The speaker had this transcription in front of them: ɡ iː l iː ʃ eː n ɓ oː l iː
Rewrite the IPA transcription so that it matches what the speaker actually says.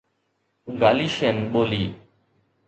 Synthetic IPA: ɡ aː l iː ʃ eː n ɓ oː l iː